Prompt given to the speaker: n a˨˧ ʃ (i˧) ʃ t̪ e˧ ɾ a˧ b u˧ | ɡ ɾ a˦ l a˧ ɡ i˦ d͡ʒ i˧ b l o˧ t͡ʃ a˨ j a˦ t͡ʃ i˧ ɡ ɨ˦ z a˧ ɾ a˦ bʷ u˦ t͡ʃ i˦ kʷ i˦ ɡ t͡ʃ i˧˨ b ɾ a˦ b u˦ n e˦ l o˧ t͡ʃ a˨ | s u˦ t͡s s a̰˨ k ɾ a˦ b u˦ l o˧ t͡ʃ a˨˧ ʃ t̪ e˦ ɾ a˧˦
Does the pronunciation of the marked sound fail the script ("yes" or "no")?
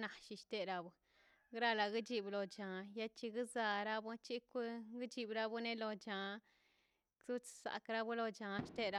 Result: no